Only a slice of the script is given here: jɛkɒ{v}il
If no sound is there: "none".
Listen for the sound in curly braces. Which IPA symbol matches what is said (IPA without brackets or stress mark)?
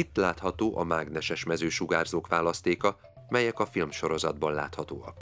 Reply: f